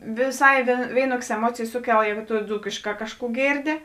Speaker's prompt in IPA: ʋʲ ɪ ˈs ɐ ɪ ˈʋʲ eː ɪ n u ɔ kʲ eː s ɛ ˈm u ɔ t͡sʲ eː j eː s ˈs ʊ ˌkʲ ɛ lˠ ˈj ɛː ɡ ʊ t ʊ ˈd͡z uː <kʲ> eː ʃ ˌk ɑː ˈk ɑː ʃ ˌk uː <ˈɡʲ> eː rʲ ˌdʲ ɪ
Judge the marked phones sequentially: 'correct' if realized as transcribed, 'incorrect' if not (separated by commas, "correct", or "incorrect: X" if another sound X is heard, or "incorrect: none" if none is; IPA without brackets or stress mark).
correct, correct